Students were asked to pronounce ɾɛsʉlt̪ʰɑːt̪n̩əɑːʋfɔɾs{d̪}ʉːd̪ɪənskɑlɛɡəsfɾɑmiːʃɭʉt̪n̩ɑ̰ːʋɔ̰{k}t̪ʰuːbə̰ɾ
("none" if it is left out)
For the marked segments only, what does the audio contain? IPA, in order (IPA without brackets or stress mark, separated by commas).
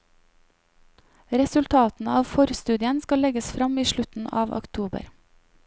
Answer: t̪, k